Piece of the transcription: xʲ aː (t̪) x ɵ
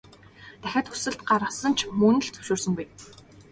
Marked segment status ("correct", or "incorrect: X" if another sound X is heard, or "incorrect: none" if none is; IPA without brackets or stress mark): correct